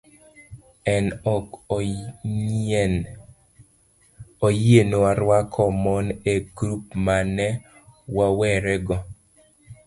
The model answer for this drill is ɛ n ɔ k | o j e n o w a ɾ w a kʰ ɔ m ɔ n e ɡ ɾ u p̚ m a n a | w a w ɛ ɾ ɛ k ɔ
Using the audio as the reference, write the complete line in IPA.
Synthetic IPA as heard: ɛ n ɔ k | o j e n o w a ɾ w a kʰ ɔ m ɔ n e ɡ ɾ u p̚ m a n ɛ | w a w ɛ ɾ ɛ ɡ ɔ